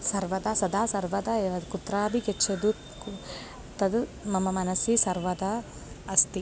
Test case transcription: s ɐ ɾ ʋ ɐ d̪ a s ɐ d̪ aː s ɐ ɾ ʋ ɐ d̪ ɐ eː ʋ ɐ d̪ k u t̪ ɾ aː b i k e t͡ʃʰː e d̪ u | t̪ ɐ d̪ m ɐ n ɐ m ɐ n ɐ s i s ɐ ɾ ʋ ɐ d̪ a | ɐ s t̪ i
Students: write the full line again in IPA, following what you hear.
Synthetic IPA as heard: s ɐ ɾ ʋ ɐ d̪ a s ɐ d̪ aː s ɐ ɾ ʋ ɐ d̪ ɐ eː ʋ ɐ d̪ k u t̪ ɾ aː b i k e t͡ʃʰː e d̪ u | t̪ ɐ d̪ m ɐ m ɐ m ɐ n ɐ s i s ɐ ɾ ʋ ɐ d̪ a | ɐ s t̪ i